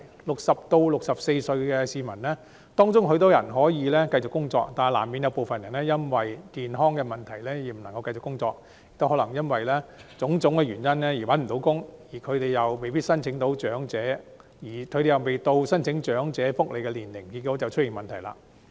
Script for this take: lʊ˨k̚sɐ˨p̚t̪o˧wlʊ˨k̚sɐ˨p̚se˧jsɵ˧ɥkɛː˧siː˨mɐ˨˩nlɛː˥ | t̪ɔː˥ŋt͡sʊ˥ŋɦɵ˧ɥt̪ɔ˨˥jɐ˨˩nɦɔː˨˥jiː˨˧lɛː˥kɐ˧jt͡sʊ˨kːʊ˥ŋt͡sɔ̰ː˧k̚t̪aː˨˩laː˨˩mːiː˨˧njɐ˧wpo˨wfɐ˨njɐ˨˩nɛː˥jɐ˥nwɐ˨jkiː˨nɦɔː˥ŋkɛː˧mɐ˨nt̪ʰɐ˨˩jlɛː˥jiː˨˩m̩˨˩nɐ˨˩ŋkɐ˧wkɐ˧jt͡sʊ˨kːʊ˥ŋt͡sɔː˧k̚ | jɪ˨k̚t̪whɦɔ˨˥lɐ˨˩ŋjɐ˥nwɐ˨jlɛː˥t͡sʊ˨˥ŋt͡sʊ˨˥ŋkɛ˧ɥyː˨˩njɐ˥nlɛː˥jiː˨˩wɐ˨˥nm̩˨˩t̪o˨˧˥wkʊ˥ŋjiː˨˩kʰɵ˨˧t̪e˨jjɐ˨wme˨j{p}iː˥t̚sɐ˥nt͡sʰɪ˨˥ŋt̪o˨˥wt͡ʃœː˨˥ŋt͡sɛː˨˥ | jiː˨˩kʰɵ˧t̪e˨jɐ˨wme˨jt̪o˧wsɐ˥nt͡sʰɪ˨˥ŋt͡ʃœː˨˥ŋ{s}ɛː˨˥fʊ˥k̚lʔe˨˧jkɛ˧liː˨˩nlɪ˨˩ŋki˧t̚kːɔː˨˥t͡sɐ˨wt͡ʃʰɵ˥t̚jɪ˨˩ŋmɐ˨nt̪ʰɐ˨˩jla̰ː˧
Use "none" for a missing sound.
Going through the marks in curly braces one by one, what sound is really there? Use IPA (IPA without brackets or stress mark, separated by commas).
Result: p, t͡s